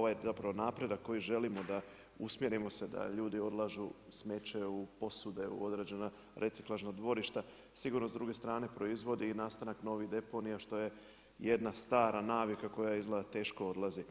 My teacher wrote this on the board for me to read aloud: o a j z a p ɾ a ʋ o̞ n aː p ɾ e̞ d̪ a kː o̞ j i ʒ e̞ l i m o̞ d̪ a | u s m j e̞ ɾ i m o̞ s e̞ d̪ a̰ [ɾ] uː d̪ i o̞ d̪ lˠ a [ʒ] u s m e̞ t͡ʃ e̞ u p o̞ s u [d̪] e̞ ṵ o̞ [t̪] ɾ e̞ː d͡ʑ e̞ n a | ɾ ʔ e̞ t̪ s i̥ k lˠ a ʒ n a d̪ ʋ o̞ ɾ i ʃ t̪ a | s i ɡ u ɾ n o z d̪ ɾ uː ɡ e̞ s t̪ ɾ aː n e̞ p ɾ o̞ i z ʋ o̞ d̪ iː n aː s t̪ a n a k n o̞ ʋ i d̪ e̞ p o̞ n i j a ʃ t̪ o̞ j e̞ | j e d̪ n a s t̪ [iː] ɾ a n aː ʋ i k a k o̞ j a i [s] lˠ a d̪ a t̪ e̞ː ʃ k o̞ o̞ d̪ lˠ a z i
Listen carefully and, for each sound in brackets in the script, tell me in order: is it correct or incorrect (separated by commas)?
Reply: incorrect, correct, correct, incorrect, incorrect, incorrect